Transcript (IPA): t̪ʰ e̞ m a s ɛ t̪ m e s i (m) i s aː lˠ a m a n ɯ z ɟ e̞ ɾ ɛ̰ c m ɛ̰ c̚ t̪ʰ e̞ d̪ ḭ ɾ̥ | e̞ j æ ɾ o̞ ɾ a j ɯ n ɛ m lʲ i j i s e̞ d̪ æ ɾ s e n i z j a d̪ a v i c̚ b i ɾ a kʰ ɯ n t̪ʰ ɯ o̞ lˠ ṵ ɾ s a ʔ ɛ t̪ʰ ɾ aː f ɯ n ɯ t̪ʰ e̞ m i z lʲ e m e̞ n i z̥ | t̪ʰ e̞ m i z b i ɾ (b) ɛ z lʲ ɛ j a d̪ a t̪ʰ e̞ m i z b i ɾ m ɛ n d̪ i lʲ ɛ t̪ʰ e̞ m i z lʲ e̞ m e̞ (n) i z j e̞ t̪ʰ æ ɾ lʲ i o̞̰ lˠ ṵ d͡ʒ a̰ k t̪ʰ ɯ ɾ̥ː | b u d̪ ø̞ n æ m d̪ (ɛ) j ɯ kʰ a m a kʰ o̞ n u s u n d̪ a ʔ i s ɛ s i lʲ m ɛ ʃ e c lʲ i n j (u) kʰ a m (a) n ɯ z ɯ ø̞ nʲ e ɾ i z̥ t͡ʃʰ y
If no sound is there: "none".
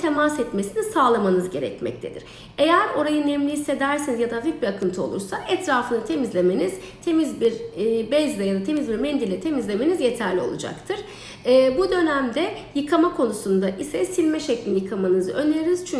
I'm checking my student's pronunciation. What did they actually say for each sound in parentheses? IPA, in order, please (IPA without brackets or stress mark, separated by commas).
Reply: n, b, n, ɛ, ɯ, a